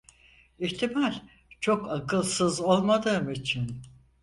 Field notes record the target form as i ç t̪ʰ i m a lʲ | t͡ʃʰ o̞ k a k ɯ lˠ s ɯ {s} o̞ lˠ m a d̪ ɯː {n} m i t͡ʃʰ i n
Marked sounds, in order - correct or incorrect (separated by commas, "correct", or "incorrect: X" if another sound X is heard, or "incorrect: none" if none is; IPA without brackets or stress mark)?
incorrect: z, incorrect: none